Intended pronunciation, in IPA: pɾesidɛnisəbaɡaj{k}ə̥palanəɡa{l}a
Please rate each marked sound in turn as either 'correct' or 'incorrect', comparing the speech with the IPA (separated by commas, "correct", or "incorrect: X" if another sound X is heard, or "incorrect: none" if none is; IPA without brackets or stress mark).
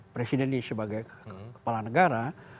correct, incorrect: ɾ